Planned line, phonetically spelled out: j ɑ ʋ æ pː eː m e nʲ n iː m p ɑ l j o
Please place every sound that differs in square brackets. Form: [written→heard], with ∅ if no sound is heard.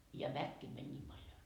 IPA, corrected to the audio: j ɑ ʋ æ [pː→kː] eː m [e→æ] nʲ n iː m p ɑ l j o